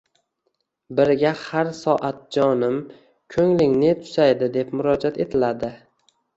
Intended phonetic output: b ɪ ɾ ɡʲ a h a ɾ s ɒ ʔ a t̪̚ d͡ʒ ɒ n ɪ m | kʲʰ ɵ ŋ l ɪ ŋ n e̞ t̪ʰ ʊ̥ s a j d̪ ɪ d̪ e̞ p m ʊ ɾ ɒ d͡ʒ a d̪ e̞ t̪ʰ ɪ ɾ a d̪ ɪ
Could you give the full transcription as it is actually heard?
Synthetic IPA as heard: b ɪ ɾ ɡʲ a h a ɾ s ɒ ʔ a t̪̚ d͡ʒ ɒ n ɪ m | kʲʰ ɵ ŋ l ɪ ŋ n e̞ t̪ʰ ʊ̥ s a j d̪ ɪ d̪ e̞ p m ʊ ɾ ɒ d͡ʒ a t̪ e̞ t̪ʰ ɪ l a d̪ ɪ